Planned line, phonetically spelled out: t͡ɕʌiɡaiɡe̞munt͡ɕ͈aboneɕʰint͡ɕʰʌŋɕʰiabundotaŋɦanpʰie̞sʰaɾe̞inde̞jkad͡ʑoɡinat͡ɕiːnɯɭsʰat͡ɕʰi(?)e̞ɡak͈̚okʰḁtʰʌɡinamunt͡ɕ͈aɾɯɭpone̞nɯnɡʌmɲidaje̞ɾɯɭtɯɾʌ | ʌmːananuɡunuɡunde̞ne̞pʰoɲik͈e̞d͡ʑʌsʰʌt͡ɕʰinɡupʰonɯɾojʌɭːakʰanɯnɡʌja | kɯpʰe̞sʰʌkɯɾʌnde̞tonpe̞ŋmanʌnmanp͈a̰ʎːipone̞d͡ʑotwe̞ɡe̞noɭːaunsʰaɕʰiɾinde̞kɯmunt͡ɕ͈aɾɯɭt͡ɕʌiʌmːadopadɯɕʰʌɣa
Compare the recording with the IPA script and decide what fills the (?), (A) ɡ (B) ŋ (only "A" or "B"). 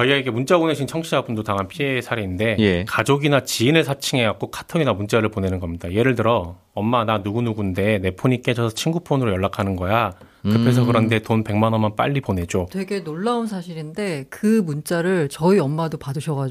B